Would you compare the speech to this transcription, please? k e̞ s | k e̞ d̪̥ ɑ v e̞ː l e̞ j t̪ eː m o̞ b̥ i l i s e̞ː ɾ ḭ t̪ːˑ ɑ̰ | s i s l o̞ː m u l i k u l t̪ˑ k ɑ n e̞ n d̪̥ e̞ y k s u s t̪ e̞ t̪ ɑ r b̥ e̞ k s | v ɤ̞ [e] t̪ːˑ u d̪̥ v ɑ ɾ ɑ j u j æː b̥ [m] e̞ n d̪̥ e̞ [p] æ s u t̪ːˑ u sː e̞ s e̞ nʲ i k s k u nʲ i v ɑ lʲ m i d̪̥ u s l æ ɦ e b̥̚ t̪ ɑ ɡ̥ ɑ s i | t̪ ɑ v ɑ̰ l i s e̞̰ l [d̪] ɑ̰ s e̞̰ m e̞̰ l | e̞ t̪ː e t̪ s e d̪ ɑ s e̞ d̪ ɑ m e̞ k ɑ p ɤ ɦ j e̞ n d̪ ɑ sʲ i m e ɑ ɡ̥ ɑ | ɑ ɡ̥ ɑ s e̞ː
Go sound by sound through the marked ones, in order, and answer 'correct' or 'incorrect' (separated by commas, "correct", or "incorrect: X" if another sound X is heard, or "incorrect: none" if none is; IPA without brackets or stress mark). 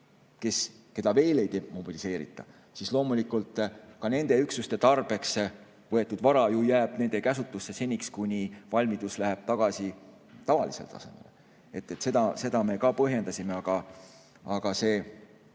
correct, incorrect: n, incorrect: k, incorrect: t̪